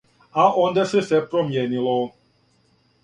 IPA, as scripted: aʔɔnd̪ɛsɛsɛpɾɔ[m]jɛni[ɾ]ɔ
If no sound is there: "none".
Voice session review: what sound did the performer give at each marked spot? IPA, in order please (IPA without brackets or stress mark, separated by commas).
m, l